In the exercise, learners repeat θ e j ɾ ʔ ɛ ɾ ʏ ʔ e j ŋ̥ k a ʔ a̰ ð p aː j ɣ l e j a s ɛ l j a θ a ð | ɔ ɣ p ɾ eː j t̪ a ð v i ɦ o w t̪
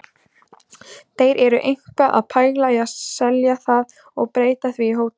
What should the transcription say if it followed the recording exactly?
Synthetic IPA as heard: θ e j ɾ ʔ ɛ ɾ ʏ ʔ e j ŋ̥ k a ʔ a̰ ð pʰ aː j ɣ l a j a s ɛ l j a θ a ð | ɔ ɣ p ɾ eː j t̪ a θ v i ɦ o w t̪